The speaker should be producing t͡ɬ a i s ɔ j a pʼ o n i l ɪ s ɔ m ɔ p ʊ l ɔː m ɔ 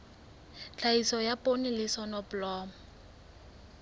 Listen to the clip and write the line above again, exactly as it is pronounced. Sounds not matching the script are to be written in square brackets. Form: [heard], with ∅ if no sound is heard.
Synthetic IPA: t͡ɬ a i s ɔ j a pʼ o n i l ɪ s ɔ [n] ɔ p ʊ l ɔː m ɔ

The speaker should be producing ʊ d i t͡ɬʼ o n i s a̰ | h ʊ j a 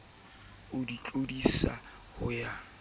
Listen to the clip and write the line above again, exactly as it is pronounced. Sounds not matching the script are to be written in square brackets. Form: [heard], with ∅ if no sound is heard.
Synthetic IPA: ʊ d i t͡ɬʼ o [d] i s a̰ | h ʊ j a

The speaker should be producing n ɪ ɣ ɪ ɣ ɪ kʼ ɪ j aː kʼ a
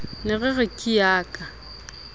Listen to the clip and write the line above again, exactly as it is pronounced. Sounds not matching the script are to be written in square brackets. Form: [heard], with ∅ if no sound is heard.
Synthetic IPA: n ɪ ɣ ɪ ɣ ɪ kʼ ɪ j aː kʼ a

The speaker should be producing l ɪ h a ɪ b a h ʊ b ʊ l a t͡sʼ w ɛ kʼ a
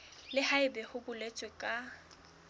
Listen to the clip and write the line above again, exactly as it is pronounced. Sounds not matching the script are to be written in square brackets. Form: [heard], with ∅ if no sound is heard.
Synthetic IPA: l ɪ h a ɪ b [ɛ] h ʊ b ʊ l [e] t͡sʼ w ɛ kʼ a

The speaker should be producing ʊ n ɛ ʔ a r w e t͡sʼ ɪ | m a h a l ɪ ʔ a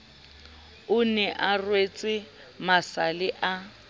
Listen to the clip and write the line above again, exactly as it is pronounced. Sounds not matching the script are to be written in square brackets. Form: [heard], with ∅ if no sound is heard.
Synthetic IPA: ʊ n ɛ ʔ a r w e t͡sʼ ɪ | m a [s] a l ɪ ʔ a

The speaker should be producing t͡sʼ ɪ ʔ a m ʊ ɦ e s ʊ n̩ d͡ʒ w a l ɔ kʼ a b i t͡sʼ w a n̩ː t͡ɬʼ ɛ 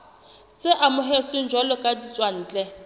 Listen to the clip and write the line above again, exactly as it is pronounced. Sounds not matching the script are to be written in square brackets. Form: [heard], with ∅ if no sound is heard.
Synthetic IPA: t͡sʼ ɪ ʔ a m ʊ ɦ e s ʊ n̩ d͡ʒ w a l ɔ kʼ a [d] i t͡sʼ w a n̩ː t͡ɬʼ ɛ

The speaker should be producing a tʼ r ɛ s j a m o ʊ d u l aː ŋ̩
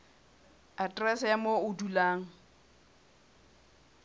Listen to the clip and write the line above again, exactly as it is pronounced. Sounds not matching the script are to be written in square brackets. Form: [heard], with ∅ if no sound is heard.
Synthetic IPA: a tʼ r ɛ s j a m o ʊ d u l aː ŋ̩

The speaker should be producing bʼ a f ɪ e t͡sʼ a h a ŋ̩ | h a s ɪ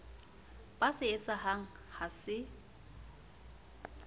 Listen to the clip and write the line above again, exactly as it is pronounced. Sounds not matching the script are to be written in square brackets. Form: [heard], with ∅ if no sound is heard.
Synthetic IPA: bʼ a [s] ɪ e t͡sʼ a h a ŋ̩ | h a s ɪ

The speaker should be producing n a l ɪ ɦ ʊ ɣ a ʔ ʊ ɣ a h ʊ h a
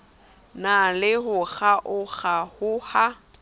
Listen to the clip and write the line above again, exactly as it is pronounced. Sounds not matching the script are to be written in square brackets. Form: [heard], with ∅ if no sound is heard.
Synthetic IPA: n a l ɪ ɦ ʊ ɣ a ʔ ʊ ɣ a h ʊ h a

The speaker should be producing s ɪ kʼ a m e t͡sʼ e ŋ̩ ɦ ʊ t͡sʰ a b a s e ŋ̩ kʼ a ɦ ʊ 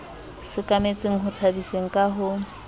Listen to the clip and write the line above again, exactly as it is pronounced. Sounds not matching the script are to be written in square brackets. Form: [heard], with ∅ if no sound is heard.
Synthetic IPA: s ɪ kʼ a m e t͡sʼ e ŋ̩ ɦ ʊ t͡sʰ a b [i] s e ŋ̩ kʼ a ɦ ʊ

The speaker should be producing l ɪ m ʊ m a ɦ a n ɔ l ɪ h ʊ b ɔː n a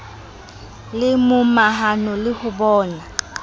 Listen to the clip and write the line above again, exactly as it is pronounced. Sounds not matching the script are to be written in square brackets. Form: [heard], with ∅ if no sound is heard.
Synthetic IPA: l ɪ m ʊ m a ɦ a n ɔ l ɪ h ʊ b ɔː n a

